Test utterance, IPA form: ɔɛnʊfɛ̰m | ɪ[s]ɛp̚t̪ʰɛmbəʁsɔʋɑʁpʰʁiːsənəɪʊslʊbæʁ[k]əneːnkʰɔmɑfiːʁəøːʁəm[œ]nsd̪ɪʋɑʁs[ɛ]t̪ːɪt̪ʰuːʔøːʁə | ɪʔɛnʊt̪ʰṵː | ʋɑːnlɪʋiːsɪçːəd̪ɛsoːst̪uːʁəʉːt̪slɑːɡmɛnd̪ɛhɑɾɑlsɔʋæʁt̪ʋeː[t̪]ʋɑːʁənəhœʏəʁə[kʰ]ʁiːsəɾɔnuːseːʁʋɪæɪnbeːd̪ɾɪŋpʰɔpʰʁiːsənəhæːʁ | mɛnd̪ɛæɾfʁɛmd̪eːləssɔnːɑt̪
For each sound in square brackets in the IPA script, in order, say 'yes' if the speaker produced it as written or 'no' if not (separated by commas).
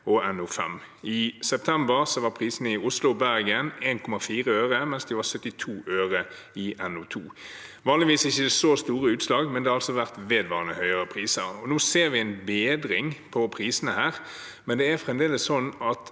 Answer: yes, no, no, no, no, no